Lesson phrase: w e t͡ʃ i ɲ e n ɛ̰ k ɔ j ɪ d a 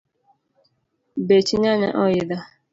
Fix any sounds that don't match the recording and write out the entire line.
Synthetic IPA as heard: b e t͡ʃ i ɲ a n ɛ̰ ʔ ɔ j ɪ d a